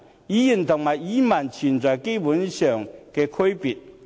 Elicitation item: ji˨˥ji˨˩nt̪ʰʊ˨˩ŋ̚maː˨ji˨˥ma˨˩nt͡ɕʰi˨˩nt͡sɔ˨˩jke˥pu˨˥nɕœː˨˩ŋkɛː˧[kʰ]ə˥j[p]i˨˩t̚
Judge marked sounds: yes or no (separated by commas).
yes, yes